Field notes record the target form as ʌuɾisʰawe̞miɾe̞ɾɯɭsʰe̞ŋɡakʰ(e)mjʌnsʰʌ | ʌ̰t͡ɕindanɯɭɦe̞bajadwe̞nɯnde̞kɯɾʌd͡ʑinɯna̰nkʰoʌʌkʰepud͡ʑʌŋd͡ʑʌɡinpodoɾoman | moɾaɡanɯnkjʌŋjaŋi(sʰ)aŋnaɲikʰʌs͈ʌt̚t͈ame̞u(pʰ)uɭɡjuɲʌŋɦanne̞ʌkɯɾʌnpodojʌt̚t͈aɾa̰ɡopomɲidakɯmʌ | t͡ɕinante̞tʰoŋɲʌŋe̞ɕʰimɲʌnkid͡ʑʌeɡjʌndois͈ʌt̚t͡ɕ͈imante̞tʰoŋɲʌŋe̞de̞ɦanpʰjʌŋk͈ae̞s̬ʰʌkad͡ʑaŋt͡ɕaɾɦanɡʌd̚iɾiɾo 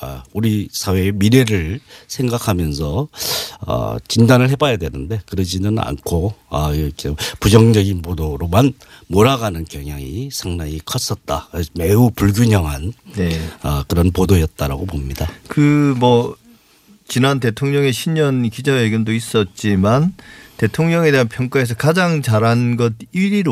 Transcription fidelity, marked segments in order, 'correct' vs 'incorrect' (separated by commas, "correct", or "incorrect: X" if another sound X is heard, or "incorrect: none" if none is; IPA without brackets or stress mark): incorrect: a, correct, incorrect: p